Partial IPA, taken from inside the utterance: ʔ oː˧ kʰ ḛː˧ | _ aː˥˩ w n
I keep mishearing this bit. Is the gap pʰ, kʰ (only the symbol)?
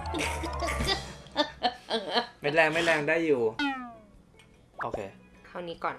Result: kʰ